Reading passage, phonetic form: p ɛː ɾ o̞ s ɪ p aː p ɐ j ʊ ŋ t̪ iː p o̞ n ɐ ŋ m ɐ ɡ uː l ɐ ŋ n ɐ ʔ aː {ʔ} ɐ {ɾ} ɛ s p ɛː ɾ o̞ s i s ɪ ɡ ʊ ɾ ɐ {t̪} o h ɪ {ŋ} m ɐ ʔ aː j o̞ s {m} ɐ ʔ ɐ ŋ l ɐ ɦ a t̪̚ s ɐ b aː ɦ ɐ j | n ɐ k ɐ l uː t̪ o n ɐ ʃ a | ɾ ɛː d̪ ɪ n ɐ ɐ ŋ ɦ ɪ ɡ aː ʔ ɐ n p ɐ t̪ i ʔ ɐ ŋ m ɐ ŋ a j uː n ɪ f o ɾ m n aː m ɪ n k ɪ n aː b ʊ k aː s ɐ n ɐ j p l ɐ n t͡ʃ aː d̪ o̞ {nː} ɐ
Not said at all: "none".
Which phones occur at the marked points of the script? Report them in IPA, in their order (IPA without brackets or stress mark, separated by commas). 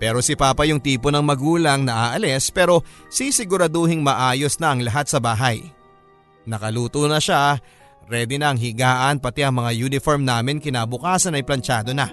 ʔ, l, d̪, ŋ, n, n